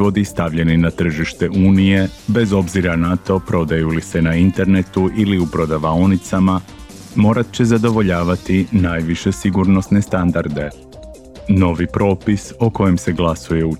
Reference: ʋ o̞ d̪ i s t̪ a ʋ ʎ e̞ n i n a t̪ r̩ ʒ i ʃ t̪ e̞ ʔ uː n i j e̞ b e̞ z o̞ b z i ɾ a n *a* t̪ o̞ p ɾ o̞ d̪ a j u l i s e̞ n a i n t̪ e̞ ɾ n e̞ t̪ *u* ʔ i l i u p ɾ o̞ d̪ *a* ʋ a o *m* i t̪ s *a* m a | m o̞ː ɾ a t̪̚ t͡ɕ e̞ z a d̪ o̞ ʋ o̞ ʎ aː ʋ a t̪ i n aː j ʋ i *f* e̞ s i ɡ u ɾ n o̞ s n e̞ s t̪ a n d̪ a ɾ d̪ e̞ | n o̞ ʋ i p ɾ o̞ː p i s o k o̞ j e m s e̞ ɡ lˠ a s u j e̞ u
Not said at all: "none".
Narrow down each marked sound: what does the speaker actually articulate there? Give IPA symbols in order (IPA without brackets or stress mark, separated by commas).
a, u, a, n, a, ʃ